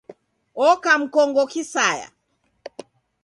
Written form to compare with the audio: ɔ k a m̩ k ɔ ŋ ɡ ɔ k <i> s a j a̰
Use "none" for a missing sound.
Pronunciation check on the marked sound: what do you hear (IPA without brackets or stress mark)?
i